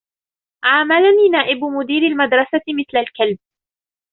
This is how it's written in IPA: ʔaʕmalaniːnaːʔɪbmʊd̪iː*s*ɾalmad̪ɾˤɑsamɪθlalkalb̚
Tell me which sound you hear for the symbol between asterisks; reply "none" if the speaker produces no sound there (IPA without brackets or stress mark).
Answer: none